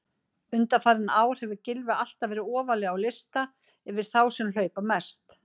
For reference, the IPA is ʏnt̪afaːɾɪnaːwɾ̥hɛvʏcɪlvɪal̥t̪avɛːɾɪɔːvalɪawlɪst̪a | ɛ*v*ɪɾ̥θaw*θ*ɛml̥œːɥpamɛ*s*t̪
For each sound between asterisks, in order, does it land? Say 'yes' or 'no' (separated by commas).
yes, no, yes